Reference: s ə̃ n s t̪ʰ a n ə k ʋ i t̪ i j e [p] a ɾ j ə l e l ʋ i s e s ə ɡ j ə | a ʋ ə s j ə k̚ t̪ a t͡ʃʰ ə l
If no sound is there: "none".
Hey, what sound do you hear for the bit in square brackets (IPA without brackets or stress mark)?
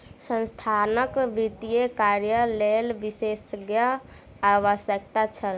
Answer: k